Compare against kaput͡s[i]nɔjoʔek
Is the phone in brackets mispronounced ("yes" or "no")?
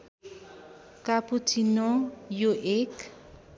no